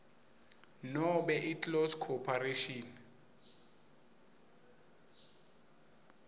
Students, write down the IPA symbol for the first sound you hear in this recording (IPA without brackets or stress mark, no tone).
n